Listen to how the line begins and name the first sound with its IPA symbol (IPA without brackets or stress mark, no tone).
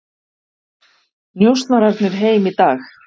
n